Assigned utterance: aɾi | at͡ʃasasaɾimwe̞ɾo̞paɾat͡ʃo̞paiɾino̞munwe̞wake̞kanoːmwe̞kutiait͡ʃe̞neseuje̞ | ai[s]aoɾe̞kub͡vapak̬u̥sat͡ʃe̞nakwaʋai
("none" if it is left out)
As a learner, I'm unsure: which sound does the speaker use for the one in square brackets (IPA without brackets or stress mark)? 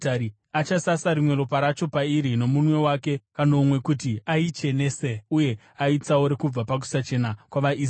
t͡s